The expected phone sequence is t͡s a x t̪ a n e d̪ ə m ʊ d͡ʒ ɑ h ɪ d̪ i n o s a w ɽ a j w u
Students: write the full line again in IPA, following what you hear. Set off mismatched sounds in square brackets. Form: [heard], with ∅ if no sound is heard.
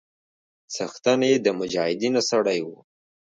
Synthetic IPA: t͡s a x t̪ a n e d̪ ə m ʊ d͡ʒ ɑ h ɪ d̪ i n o s a [∅] ɽ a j w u